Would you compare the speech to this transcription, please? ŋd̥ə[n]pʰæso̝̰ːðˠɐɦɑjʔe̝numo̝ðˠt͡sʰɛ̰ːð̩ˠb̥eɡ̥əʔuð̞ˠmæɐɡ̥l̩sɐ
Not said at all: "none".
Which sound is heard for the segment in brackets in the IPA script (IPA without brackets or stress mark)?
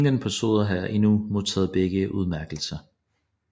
n